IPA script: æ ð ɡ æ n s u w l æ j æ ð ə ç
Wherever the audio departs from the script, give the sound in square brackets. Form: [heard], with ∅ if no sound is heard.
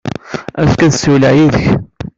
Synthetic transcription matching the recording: æ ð [k] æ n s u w l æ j [i] ð ə ç